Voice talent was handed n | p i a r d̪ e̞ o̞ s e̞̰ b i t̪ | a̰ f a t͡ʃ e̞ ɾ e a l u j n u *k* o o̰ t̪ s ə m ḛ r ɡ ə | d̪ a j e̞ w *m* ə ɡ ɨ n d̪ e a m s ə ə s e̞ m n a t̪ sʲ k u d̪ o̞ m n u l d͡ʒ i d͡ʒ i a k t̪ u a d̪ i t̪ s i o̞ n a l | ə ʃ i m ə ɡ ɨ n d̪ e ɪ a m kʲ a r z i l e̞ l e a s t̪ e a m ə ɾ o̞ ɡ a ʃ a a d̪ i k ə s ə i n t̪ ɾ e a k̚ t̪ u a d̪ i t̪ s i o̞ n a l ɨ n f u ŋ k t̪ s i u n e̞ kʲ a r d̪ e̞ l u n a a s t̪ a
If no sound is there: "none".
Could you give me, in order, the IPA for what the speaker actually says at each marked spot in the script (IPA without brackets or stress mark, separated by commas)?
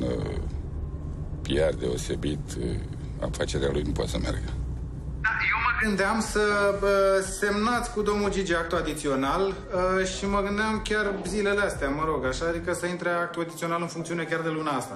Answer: p, m